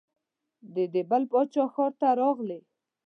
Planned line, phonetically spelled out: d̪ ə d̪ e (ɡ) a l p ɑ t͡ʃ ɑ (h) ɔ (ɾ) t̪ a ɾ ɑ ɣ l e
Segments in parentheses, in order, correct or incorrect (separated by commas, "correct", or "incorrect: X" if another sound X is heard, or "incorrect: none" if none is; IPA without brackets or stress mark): incorrect: b, incorrect: x, correct